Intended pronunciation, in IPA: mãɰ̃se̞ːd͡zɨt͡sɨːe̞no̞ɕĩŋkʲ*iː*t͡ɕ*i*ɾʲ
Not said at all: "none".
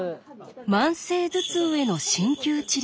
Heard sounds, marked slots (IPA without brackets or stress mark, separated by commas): ɨː, i